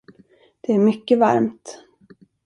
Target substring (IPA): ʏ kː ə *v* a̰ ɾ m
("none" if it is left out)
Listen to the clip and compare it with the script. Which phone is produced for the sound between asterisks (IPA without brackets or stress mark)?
v